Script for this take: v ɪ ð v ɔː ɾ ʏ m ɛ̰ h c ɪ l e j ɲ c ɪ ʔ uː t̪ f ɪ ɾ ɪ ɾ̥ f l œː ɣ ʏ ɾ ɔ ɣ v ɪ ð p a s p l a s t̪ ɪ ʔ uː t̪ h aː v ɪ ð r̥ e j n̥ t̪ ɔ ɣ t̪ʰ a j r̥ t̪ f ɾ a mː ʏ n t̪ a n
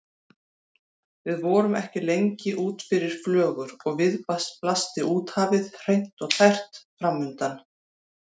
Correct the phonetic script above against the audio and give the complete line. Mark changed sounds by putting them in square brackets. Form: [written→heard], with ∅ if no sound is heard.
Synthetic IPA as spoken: v ɪ ð v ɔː ɾ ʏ m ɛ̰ h c ɪ l e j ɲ c ɪ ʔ uː t̪ f ɪ ɾ ɪ ɾ̥ f l œː ɣ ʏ ɾ ɔ ɣ v ɪ ð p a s p l a s t̪ ɪ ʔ uː t̪ h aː v ɪ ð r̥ e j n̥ t̪ ɔ ɣ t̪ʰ a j r̥ t̪ f ɾ a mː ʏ n t̪ a n